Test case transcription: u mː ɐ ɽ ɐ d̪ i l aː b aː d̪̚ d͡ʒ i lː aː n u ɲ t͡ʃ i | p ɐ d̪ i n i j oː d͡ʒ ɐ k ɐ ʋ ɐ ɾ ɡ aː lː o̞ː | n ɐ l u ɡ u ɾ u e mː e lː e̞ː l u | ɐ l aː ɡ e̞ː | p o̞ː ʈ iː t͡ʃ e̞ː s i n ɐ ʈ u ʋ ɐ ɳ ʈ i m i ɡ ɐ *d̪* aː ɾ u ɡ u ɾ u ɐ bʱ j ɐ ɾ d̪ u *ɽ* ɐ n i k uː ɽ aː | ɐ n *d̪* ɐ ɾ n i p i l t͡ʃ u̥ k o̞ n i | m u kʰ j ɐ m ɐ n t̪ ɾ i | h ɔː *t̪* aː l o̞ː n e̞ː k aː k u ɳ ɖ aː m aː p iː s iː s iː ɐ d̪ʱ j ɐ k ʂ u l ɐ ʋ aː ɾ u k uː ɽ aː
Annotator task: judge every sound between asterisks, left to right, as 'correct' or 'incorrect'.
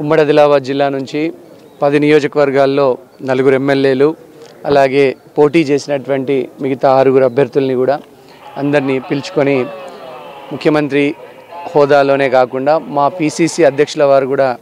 incorrect, incorrect, correct, incorrect

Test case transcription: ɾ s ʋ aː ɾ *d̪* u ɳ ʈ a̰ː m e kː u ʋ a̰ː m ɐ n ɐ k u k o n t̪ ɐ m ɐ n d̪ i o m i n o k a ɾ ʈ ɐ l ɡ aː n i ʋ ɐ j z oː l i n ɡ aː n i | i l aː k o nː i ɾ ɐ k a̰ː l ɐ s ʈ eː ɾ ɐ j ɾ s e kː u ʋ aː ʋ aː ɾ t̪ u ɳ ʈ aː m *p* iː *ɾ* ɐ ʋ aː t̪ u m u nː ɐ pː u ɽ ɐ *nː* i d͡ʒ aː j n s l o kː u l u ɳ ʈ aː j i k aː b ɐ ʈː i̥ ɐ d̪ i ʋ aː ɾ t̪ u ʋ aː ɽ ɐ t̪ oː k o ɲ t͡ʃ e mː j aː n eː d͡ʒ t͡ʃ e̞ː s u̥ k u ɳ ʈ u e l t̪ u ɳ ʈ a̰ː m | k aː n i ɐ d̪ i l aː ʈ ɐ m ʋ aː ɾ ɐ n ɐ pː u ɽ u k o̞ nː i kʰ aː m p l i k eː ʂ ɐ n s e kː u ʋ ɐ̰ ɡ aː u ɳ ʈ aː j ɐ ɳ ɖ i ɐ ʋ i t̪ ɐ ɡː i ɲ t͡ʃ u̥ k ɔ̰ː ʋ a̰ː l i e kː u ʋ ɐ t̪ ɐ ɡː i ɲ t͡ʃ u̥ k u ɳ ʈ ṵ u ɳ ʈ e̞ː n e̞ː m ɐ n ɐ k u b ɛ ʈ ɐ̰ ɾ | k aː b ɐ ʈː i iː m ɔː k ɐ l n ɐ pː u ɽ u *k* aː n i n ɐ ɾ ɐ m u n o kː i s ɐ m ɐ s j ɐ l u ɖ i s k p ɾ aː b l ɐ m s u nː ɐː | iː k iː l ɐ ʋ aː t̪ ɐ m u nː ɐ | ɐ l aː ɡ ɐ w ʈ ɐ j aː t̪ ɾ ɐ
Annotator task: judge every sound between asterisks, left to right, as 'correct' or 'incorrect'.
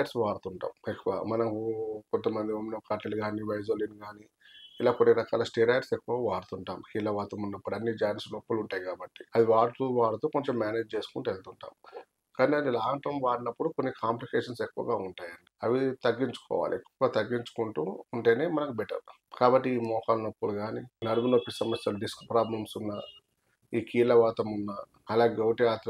incorrect, incorrect, incorrect, correct, incorrect

